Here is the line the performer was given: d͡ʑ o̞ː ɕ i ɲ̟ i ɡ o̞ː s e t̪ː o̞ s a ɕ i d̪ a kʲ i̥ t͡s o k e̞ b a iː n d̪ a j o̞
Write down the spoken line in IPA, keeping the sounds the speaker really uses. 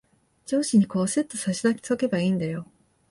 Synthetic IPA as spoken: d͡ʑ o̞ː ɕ i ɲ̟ i k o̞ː s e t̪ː o̞ s a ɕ i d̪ a kʲ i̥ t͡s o k e̞ b a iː n d̪ a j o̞